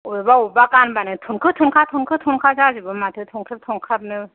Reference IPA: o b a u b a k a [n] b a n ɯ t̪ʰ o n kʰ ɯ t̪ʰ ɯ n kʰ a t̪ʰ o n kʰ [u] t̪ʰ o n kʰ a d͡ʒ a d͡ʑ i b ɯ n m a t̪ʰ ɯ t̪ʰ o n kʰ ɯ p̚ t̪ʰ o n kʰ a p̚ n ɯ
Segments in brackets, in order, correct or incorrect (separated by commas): correct, incorrect